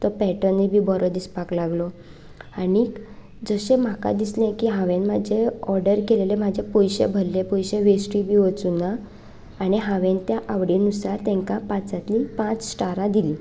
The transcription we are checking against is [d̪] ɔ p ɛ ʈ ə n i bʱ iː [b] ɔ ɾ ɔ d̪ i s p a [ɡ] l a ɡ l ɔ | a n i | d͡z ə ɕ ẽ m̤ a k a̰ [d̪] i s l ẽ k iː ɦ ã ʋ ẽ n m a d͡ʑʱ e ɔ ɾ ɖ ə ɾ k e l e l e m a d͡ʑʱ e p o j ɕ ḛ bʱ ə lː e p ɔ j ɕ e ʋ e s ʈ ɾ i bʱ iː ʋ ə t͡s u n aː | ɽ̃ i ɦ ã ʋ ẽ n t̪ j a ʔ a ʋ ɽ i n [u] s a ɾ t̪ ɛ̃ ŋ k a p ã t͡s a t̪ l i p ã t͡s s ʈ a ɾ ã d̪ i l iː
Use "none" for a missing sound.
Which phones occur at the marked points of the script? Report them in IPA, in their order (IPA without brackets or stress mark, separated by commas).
t̪, b, k, d̪, u